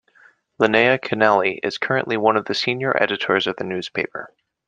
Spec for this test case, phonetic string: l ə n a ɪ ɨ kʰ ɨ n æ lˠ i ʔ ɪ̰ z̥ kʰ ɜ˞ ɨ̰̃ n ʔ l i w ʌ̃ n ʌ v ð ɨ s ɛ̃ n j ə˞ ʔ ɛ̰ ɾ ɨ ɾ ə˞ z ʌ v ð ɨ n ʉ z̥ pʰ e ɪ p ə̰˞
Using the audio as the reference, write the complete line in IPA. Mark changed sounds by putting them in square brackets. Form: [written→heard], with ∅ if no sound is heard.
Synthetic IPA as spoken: l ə n [a→e] ɪ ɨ kʰ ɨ n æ lˠ i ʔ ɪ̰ z̥ kʰ ɜ˞ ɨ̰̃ n ʔ l i w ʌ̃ n ʌ v ð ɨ s [ɛ̃→ĩ] n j ə˞ ʔ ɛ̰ ɾ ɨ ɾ ə˞ z ʌ v ð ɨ n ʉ z̥ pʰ e ɪ p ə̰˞